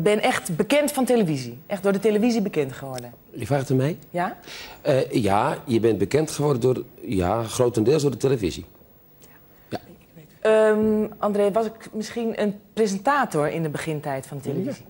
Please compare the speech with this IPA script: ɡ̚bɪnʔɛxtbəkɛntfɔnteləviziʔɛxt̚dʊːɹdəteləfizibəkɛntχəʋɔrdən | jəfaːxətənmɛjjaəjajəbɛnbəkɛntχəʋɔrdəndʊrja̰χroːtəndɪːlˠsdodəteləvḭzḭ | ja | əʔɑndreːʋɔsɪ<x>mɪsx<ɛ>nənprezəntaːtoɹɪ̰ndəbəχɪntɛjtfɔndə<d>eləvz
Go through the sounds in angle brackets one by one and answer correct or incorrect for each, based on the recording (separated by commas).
incorrect, incorrect, incorrect